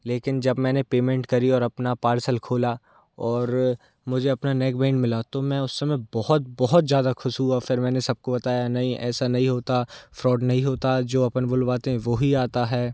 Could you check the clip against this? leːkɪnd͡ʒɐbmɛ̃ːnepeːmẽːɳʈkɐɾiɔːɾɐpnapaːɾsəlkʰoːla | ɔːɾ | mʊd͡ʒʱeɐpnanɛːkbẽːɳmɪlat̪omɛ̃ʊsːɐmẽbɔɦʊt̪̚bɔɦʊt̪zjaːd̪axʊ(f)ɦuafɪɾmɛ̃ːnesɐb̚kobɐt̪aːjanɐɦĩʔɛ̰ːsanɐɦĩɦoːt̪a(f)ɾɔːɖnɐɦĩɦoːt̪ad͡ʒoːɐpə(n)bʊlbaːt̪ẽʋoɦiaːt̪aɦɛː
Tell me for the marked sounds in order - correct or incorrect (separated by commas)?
incorrect, correct, correct